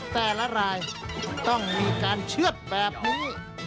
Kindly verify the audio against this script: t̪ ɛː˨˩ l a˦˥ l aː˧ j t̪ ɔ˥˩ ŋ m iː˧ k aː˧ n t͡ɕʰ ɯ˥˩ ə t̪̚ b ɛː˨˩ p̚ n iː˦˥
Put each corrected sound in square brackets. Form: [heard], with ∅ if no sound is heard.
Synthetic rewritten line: t̪ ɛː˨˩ l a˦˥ [ɾ] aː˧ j t̪ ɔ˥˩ ŋ m iː˧ k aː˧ n t͡ɕʰ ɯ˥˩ ə t̪̚ b ɛː˨˩ p̚ n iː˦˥

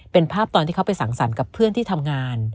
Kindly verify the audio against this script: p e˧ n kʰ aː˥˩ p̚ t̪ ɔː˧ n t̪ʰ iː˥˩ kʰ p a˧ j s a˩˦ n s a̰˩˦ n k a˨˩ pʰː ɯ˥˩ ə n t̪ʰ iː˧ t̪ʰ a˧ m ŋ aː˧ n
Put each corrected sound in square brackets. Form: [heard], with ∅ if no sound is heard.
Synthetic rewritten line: p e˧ n [pʰ] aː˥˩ p̚ t̪ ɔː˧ n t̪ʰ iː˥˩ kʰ p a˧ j s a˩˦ [ŋ] s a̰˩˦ n k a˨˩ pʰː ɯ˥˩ ə n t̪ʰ [iː˥˩] t̪ʰ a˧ m ŋ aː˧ n

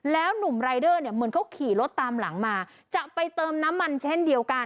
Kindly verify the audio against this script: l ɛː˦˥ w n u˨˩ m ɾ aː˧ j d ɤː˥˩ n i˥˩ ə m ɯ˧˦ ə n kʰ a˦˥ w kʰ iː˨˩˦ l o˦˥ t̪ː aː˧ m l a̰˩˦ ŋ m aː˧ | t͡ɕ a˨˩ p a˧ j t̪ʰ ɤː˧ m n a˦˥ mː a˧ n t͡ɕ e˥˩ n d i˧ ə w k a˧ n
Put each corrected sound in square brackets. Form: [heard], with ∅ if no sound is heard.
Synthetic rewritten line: l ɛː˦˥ w n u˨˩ m ɾ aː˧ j d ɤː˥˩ n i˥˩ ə m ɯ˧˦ ə n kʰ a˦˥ w kʰ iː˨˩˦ l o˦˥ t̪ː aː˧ m l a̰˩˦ ŋ m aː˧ | t͡ɕ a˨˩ p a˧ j [t̪] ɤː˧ m n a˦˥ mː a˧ n [t͡ɕʰ] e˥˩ n d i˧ ə w k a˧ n

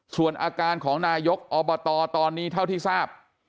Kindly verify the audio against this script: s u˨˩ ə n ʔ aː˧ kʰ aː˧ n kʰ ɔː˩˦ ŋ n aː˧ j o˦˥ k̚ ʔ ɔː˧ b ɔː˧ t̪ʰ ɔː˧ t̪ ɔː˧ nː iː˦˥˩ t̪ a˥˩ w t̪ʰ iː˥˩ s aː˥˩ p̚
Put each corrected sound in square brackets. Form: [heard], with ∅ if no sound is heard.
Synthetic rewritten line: s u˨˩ ə n ʔ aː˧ [k] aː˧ n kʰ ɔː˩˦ ŋ n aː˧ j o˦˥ k̚ ʔ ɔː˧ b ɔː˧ [t̪] ɔː˧ t̪ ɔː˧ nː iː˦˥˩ [t̪ʰ] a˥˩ w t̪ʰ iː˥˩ s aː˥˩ p̚

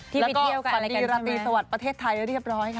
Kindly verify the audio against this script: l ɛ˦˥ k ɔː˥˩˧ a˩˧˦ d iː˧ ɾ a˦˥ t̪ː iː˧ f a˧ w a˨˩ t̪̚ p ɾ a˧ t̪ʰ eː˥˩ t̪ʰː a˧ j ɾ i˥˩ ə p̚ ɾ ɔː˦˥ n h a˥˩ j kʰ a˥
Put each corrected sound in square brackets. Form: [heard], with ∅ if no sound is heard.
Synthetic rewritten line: l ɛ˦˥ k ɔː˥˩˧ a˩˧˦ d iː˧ ɾ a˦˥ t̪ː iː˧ [s] a˧ w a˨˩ t̪̚ p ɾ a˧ t̪ʰ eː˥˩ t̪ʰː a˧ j ɾ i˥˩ ə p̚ ɾ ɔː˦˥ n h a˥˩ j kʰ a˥

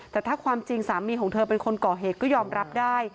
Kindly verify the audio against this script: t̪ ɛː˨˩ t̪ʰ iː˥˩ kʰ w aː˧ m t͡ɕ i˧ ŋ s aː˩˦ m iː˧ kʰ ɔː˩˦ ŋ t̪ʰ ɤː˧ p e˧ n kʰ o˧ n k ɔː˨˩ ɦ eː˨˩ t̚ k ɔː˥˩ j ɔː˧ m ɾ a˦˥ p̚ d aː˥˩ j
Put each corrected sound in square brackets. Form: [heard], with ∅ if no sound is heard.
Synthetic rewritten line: t̪ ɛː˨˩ t̪ʰ [aː˥˩] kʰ w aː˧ m t͡ɕ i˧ ŋ s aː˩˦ m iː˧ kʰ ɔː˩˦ ŋ t̪ʰ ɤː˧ p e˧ n kʰ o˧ n k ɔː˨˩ ɦ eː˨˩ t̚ k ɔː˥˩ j ɔː˧ m ɾ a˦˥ p̚ d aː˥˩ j

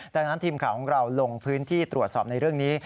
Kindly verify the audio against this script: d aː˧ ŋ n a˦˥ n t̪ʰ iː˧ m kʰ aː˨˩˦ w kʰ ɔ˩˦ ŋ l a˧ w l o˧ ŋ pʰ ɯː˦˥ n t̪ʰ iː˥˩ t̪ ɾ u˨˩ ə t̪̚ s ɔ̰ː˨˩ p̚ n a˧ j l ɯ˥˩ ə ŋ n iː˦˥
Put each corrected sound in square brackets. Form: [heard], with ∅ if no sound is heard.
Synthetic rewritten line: d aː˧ ŋ n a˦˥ n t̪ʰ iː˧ m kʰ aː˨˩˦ w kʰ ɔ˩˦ ŋ [ɾ] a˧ w l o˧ ŋ pʰ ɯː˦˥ n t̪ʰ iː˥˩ t̪ ɾ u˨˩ ə t̪̚ s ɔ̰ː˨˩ p̚ n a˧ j [ɾ] ɯ˥˩ ə ŋ n iː˦˥

